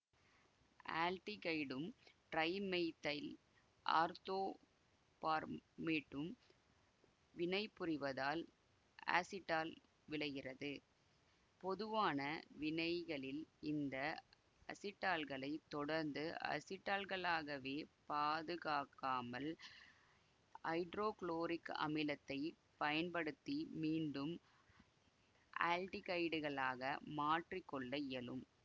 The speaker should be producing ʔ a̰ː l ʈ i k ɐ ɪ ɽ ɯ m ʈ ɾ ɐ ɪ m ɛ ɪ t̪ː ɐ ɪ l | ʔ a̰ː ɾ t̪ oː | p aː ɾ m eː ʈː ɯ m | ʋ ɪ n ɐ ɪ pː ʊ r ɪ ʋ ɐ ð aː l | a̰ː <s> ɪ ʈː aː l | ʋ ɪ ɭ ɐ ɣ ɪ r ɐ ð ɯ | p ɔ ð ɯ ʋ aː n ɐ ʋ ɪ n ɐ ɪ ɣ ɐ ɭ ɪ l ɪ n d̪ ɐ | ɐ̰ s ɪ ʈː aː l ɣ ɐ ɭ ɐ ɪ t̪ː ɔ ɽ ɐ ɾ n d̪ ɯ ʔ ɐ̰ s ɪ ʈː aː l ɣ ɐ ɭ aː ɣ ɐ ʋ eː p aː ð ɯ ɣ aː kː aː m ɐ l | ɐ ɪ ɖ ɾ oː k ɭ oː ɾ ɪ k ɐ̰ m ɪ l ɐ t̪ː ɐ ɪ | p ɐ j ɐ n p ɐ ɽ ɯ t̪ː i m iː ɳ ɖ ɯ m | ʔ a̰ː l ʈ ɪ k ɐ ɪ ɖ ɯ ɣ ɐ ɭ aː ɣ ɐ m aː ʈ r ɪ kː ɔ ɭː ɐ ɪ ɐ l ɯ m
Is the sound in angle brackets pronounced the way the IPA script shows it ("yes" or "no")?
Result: yes